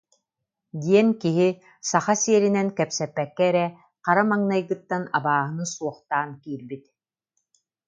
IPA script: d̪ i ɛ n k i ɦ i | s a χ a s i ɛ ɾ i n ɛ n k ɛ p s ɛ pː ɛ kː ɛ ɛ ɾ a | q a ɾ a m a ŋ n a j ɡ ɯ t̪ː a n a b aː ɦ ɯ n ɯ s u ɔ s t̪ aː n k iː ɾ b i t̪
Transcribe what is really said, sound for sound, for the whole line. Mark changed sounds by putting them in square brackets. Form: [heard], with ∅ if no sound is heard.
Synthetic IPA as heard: d̪ i ɛ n k i ɦ i | s a χ a s i ɛ ɾ i n ɛ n k ɛ p s ɛ pː ɛ kː ɛ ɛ ɾ [ɛ] | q a ɾ a m a ŋ n a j ɡ ɯ t̪ː a n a b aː ɦ ɯ n ɯ s u ɔ [χ] t̪ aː n k iː ɾ b i t̪